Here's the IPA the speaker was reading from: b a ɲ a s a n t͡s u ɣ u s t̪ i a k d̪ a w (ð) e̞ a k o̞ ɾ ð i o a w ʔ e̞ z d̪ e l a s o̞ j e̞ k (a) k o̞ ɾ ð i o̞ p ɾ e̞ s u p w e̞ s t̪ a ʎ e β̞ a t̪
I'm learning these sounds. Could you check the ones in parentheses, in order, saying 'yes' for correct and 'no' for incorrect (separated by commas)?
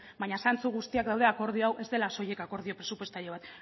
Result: yes, yes